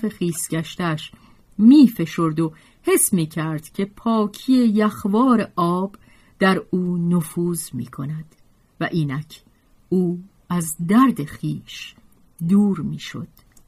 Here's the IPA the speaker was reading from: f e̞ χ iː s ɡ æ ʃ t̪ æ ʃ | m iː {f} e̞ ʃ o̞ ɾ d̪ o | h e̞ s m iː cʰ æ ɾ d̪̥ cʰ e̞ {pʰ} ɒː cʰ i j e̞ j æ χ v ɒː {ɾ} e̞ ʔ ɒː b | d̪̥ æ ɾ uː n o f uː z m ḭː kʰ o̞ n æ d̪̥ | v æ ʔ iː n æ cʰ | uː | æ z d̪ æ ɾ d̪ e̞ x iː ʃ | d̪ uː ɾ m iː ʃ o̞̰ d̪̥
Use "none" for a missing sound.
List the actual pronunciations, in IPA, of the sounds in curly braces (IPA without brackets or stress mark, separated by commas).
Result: f, pʰ, ɾ